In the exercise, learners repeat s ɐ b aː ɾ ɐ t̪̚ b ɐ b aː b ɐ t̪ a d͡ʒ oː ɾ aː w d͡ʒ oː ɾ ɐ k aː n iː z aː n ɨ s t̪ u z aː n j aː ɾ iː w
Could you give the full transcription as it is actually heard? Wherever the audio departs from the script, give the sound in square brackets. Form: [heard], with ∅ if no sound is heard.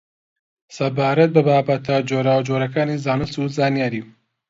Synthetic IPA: s ɐ b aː ɾ ɐ t̪̚ b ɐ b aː b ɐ t̪ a d͡ʒ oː ɾ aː w d͡ʒ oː ɾ ɐ k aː n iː z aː n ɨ s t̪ u z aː n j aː ɾ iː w

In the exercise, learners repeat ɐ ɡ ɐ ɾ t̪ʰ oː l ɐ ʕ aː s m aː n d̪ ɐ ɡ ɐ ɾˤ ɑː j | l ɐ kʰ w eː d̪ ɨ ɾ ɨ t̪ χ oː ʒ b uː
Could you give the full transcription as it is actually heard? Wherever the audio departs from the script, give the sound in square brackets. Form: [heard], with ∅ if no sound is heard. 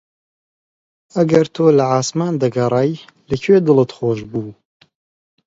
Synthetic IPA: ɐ ɡ ɐ ɾ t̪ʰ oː l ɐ ʕ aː s m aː n d̪ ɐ ɡ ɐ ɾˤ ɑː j | l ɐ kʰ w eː d̪ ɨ [l] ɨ t̪ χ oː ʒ b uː

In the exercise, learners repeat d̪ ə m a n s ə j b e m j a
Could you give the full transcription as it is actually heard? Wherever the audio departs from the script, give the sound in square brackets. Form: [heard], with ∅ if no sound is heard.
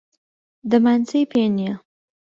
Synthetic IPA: d̪ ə m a n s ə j [p] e [n] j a

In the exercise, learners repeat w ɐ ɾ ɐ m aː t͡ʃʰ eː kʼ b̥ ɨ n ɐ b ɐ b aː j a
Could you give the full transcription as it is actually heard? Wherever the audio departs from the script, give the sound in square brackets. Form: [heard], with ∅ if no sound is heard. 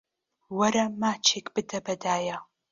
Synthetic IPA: w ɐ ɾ ɐ m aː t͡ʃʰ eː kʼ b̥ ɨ [d] ɐ b ɐ [d] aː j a

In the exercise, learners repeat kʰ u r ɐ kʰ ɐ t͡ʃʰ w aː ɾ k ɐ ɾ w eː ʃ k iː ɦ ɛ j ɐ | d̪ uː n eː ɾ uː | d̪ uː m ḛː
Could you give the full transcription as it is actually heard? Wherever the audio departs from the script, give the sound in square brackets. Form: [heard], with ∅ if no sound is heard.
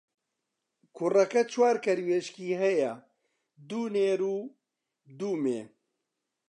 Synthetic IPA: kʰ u r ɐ [k] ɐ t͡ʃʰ w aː ɾ k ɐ ɾ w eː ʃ k iː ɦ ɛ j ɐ | d̪ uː n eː ɾ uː | d̪ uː m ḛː

